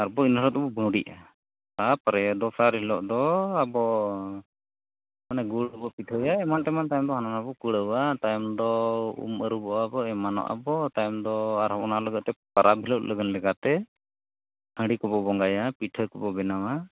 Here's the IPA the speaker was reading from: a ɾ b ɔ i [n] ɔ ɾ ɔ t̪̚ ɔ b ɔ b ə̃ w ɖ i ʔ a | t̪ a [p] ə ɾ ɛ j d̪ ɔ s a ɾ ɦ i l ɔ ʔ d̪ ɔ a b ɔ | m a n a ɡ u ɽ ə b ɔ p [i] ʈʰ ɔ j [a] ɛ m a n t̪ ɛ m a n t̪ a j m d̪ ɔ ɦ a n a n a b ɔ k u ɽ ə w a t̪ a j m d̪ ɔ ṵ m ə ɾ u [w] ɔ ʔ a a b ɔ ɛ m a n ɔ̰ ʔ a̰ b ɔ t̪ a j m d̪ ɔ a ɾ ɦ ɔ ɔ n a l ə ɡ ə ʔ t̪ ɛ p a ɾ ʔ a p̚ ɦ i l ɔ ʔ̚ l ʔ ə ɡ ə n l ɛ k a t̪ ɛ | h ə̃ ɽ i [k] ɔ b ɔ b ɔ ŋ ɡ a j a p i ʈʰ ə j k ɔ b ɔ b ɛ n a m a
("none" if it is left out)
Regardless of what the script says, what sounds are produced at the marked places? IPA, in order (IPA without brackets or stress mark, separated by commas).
n, p, i, a, b, k